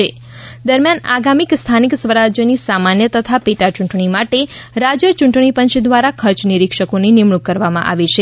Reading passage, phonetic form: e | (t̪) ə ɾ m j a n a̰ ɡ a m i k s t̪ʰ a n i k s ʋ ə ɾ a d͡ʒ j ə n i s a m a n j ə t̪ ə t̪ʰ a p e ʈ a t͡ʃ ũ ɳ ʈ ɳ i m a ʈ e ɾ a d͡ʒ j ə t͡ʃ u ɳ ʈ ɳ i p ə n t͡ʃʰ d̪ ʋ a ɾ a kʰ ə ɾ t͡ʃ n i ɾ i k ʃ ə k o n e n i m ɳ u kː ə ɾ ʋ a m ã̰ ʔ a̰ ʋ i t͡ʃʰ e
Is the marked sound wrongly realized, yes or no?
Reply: yes